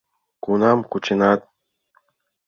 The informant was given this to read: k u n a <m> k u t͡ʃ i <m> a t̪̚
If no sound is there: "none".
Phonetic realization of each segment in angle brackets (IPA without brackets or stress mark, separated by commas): m, n